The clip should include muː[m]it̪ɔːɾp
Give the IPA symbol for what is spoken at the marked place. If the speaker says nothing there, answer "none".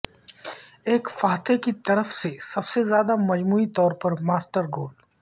none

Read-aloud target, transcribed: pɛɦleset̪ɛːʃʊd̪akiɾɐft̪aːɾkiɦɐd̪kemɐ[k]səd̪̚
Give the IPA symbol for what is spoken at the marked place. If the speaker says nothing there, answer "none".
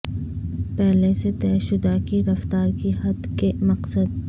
q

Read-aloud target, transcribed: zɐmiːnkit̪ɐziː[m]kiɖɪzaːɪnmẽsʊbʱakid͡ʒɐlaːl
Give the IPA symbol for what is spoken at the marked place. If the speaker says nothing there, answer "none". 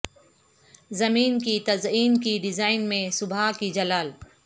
n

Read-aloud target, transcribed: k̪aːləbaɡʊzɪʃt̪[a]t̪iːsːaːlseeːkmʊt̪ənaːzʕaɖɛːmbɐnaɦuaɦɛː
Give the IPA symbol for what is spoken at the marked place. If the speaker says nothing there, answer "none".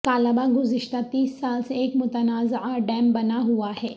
a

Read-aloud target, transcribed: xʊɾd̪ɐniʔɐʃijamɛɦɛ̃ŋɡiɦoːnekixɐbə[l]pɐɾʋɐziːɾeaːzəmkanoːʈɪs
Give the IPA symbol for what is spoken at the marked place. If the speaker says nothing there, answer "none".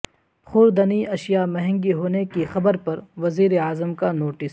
ɾ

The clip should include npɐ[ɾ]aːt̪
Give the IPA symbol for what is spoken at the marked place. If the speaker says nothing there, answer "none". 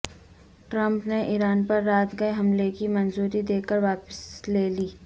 ɾː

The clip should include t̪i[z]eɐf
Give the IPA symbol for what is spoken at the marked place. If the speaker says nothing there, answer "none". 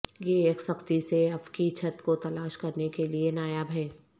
s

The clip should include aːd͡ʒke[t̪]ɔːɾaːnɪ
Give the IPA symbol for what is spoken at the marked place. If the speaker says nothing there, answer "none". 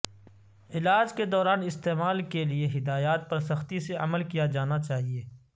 d̪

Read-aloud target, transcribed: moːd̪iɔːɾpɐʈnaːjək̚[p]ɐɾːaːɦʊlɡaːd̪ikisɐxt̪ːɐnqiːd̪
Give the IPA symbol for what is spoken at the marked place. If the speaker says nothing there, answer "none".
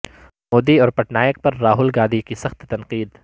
p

